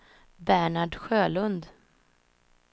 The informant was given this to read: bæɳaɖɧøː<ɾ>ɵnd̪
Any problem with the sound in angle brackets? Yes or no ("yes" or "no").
yes